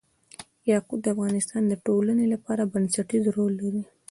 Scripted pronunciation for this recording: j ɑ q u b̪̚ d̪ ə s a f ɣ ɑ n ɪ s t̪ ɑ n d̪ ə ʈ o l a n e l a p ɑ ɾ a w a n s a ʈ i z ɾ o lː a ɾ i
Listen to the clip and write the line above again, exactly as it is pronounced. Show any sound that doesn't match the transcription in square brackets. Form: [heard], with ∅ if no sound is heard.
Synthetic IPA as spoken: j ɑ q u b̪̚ d̪ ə [∅] a f ɣ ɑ n ɪ s t̪ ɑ n d̪ ə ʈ o l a n e l a p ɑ ɾ a [b] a n s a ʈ i z ɾ o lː a ɾ i